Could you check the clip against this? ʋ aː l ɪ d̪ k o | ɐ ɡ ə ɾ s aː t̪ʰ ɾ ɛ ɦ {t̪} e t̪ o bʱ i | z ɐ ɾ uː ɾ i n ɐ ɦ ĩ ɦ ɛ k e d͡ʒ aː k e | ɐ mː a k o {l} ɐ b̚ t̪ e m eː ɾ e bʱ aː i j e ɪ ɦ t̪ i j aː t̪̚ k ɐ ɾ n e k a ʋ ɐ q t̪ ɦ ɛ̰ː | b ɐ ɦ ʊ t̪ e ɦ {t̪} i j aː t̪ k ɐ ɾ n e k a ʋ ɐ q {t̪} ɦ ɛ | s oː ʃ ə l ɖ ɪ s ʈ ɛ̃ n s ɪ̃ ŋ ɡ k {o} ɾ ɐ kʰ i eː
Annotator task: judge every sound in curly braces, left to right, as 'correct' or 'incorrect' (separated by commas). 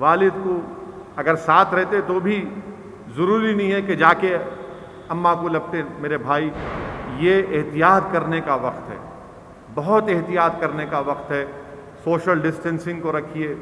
correct, correct, correct, correct, correct